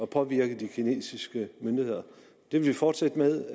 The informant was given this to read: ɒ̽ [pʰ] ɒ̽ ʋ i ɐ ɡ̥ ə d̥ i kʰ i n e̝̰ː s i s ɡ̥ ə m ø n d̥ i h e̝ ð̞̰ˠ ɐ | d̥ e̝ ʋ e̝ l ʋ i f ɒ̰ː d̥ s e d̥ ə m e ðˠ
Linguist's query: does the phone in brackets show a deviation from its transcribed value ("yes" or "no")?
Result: no